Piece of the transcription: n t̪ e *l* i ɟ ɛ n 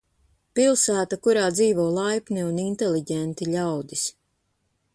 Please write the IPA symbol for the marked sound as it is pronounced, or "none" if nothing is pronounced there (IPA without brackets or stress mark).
l